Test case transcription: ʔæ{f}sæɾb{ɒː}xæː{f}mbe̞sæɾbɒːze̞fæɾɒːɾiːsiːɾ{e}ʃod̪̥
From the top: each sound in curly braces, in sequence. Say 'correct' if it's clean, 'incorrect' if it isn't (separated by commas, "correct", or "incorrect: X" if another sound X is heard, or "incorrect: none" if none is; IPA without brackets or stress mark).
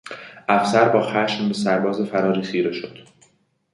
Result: correct, correct, incorrect: ʃ, correct